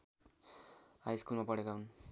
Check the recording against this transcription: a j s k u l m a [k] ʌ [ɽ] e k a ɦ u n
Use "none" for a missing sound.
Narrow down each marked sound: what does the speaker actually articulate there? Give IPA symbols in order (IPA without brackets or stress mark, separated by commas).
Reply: p, ɽ